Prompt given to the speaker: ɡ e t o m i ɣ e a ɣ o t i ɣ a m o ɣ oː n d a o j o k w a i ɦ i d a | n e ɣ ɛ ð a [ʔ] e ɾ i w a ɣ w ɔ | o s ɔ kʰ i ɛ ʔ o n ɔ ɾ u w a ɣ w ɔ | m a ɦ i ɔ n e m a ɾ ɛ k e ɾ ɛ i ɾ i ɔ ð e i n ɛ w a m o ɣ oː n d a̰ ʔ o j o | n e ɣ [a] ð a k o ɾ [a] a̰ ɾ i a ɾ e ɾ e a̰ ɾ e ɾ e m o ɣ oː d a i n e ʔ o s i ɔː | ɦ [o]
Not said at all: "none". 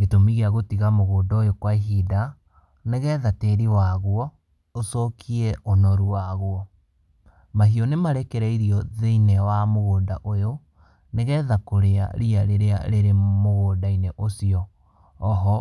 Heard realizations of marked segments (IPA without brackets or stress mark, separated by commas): t, ɛ, e, ɔ